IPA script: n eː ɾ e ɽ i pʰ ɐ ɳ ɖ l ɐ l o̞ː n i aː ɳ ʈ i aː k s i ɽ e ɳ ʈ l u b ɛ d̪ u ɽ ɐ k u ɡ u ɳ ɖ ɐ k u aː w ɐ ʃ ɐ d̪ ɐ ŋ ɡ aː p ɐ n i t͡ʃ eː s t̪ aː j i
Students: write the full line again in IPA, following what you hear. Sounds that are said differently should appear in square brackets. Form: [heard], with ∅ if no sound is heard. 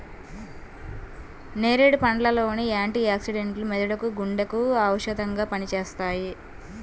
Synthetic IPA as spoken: n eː ɾ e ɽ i [p] ɐ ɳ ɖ l ɐ l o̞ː n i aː ɳ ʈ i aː k s i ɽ e ɳ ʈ l u [m] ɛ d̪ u ɽ ɐ k u ɡ u ɳ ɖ ɐ k u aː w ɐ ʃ ɐ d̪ ɐ ŋ ɡ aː p ɐ n i t͡ʃ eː s t̪ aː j i